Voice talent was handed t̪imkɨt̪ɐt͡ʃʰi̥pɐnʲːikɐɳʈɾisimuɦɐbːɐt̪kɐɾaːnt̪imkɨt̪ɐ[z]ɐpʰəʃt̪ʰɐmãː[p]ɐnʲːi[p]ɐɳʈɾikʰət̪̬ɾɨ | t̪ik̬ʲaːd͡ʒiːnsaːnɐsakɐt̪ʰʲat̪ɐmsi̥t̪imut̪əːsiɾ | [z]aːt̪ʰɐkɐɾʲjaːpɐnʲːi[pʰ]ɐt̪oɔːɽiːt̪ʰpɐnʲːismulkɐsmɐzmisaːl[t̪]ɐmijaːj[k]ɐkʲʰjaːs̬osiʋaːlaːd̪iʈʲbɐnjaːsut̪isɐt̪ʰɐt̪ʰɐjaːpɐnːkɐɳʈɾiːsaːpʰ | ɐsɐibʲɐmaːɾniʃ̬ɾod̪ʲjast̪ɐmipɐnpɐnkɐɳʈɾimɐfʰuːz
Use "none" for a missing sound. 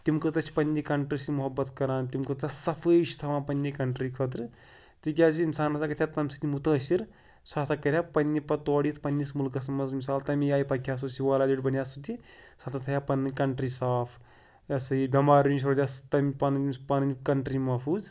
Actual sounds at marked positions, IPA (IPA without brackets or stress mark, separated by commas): s, p, k, s, p, t̪, p